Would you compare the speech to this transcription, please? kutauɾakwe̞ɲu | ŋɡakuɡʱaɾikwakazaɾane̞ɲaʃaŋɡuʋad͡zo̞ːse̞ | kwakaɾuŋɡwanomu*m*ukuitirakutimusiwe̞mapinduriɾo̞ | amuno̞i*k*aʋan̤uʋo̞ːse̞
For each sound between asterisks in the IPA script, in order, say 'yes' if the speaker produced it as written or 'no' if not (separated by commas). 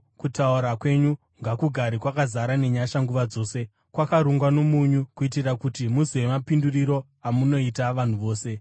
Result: no, no